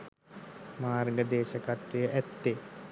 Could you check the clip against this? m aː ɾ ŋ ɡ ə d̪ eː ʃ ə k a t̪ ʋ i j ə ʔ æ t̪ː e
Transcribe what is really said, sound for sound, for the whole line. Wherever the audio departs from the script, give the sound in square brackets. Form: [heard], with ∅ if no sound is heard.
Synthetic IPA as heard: m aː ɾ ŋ ɡ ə d̪ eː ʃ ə k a t̪ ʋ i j ə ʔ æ t̪ː e